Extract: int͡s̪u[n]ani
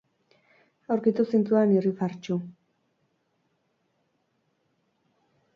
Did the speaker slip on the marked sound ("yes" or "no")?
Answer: yes